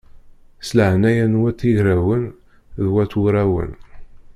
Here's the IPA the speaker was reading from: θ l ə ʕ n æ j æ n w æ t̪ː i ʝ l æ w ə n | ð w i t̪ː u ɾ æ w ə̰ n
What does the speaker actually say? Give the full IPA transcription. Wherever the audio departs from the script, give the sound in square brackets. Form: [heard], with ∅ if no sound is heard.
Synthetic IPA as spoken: [s] l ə ʕ n æ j æ n w æ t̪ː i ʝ [ɾ] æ w ə n | ð w [æ] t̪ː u ɾ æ w ə̰ n